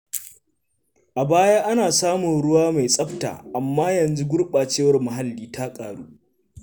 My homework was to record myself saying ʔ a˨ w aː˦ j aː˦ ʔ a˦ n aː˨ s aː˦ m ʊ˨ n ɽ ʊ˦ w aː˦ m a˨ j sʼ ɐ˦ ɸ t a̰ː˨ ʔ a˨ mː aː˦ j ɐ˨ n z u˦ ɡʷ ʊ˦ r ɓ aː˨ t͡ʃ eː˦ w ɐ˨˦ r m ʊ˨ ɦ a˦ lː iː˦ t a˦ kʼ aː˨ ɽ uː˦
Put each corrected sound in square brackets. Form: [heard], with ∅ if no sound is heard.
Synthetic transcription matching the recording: ʔ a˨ [b] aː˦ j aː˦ ʔ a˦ n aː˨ s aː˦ m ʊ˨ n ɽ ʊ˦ w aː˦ m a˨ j sʼ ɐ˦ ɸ t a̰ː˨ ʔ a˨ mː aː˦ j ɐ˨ n z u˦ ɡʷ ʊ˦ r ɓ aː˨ t͡ʃ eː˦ w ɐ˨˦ r m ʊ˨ ɦ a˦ lː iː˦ t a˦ kʼ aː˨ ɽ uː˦

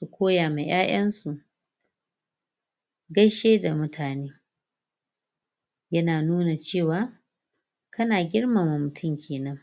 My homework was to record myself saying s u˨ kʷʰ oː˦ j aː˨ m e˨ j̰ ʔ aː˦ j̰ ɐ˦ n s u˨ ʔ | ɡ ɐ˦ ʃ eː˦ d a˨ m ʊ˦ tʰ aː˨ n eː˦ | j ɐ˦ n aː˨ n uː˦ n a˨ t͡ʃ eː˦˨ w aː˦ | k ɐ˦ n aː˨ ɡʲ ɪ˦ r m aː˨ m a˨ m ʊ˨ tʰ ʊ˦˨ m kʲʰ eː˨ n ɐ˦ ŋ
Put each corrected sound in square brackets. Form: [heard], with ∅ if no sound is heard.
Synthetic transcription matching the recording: s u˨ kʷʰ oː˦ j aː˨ m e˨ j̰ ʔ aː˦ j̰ ɐ˦ n s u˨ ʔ | ɡ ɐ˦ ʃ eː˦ d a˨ m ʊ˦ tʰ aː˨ n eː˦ | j ɐ˦ n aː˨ n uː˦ n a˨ t͡ʃ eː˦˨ w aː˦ | k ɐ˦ n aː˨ ɡʲ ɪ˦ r m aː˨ m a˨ m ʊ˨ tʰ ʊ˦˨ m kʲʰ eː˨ n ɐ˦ ŋ

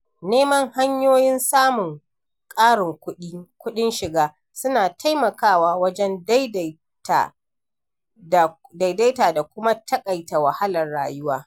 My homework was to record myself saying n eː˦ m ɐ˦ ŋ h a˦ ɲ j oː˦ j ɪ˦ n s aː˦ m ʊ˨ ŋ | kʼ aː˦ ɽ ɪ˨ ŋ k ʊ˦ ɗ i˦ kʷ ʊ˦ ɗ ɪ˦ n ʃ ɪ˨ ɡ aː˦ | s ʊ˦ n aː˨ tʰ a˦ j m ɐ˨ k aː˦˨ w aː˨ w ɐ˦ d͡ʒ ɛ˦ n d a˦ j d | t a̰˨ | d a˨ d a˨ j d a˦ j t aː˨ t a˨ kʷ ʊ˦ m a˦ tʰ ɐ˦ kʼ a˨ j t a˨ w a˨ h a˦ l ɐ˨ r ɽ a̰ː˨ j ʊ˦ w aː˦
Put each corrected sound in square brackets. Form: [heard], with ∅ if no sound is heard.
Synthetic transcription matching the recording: n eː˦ m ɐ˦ ŋ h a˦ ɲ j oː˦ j ɪ˦ n s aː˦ m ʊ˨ ŋ | kʼ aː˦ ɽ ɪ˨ ŋ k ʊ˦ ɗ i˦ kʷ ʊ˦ ɗ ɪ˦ n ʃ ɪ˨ ɡ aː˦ | s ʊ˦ n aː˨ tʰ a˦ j m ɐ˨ k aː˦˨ w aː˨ w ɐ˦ d͡ʒ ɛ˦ n d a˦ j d | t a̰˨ | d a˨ d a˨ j d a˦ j t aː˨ [d] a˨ kʷ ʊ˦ m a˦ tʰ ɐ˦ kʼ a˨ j t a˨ w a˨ h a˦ l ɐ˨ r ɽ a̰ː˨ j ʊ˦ w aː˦

